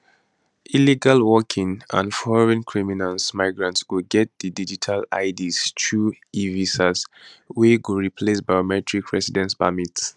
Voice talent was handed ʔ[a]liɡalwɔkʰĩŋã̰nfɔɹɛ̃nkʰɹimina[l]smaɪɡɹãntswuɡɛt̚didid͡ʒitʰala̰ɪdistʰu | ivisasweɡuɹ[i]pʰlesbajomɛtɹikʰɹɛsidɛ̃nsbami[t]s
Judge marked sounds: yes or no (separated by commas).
no, yes, yes, yes